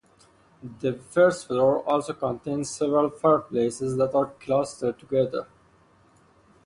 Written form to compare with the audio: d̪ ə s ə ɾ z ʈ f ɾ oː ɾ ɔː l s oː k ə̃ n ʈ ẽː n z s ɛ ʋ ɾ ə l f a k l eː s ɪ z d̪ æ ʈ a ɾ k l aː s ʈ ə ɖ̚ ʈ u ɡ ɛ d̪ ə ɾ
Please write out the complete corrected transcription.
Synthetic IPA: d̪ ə f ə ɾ s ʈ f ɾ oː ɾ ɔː l s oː k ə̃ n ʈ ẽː n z s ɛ ʋ ɾ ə l f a p l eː s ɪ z d̪ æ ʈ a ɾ k l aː s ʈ ə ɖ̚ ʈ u ɡ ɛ d̪ ə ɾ